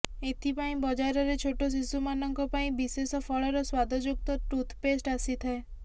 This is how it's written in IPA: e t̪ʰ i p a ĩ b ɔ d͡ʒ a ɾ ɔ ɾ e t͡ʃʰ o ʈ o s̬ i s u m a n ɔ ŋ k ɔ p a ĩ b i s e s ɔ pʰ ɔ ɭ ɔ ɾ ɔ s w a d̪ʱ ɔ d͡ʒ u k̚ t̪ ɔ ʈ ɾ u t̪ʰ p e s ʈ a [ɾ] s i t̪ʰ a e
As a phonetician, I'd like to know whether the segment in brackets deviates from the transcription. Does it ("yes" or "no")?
yes